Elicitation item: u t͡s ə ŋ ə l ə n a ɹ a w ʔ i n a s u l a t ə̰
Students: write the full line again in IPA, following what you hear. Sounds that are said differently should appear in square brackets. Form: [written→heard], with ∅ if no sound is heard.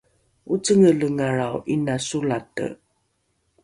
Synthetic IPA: u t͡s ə ŋ ə l ə [n→ŋ] a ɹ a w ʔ i n a s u l a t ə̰